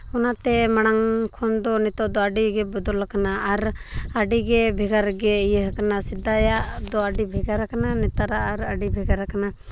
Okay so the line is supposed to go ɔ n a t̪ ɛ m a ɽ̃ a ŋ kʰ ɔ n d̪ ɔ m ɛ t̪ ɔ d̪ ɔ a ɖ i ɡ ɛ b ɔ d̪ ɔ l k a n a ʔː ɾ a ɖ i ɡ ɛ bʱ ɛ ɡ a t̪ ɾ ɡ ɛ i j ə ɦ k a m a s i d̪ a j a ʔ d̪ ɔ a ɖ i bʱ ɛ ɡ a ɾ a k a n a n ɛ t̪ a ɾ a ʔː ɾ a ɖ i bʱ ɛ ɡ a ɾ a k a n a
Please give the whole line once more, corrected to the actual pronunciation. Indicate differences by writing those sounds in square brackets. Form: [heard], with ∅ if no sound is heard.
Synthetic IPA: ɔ n a t̪ ɛ m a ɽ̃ a ŋ kʰ ɔ n d̪ ɔ [n] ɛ t̪ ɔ d̪ ɔ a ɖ i ɡ ɛ b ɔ d̪ ɔ l k a n a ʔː ɾ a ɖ i ɡ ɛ bʱ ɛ ɡ a [∅] ɾ ɡ ɛ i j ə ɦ k a [n] a s i d̪ a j a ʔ d̪ ɔ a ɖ i bʱ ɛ ɡ a ɾ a k a n a n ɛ t̪ a ɾ a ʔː ɾ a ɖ i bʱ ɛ ɡ a ɾ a k a n a